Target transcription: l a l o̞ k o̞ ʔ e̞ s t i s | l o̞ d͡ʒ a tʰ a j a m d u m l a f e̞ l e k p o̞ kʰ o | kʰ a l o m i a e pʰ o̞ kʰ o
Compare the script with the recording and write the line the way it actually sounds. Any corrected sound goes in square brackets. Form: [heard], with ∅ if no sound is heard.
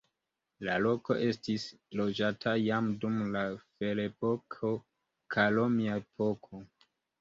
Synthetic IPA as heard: l a l o̞ k o̞ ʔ e̞ s t i s | l o̞ d͡ʒ a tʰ a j a m d u m l a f e̞ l e [∅] p o̞ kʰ o | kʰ a l o m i a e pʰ o̞ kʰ o